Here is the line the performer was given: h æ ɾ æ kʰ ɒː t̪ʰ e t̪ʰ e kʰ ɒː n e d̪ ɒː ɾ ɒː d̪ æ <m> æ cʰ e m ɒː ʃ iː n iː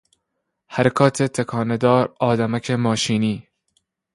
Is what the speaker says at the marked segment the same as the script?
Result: yes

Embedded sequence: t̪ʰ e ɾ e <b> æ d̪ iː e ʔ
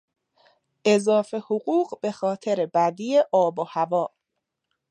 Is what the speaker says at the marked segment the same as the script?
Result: yes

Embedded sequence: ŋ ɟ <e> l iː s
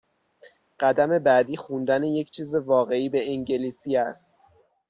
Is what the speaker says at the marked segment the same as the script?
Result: yes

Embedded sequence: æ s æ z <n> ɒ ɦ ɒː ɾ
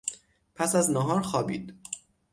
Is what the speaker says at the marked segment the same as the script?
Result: yes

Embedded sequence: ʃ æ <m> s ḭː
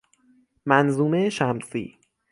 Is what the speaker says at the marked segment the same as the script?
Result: yes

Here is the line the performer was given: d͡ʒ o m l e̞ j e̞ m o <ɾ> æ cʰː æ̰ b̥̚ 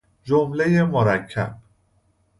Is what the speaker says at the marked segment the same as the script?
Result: yes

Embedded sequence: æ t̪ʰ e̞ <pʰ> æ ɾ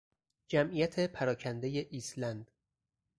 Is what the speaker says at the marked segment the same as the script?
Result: yes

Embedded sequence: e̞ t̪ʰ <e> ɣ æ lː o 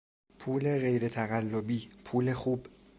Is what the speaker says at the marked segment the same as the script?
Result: no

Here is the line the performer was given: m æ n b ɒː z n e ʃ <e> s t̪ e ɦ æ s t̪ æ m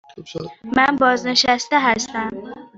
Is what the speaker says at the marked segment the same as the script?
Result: no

